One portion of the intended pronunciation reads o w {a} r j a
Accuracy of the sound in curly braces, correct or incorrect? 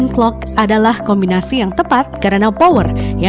incorrect